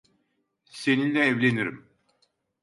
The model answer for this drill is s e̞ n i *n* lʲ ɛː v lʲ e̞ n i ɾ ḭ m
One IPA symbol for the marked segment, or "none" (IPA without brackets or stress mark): n